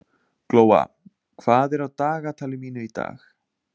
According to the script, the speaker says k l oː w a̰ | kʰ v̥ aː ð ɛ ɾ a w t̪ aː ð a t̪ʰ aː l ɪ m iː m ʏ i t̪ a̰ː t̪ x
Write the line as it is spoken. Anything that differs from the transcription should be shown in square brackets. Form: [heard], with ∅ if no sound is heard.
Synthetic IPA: k l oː w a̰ | kʰ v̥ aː ð ɛ ɾ a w t̪ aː [ɣ] a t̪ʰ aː l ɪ m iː [n] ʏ i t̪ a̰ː [∅] x